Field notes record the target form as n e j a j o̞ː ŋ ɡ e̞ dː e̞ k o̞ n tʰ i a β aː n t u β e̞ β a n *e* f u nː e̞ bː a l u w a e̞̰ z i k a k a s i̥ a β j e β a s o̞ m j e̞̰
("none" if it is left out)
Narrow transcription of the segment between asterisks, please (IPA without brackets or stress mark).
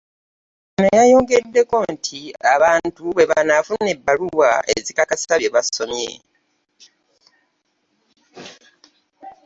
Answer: a